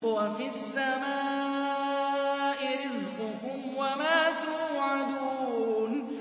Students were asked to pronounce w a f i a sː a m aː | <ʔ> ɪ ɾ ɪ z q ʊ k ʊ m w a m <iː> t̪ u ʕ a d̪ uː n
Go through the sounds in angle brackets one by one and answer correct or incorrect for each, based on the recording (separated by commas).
correct, incorrect